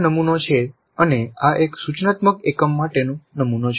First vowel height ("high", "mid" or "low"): mid